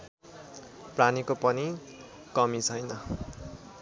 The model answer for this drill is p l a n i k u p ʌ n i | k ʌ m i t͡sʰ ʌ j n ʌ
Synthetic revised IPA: p r a n i k o p ʌ n i | k ʌ m i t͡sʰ ʌ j n ʌ

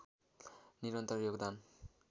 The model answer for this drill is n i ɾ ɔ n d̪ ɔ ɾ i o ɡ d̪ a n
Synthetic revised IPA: n i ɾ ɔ n t̪ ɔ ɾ j o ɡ d̪ a n

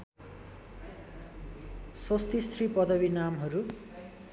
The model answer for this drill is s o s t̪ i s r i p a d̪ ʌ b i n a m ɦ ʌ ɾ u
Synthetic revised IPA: s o s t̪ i s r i p ʌ d̪ ʌ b i n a m ɦ ʌ ɾ u

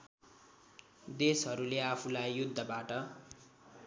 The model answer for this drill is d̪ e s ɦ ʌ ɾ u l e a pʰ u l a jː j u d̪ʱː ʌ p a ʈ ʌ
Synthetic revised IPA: d̪ e s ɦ ʌ ɾ u l e a pʰ u l a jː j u d̪ʱː ʌ b a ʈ ʌ

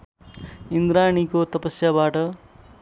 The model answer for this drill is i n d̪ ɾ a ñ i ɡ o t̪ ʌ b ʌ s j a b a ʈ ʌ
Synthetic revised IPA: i n d̪ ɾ a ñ i k o t̪ ʌ p ʌ s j a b a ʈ ʌ

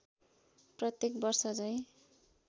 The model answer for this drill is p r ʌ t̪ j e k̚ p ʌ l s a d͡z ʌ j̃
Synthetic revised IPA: p r ʌ t̪ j e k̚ b ʌ r s ʌ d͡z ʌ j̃

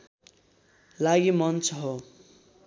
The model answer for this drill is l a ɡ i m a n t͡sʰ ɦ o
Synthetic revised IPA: l a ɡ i m ʌ n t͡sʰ ɦ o

